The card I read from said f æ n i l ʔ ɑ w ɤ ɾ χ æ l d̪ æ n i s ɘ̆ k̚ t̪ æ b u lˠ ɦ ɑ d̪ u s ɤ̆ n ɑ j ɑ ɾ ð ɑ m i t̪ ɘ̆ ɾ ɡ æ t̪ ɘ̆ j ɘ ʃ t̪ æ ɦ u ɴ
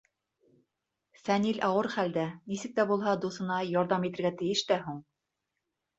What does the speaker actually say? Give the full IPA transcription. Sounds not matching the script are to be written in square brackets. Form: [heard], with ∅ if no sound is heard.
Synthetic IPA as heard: f æ n i l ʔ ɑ w ɤ ɾ χ æ l d̪ æ n i s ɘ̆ k̚ t̪ æ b u lˠ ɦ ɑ d̪ u s ɤ̆ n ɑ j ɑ ɾ ð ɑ m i t̪ ɘ̆ ɾ ɡ æ t̪ ɘ̆ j ɘ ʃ t̪ æ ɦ u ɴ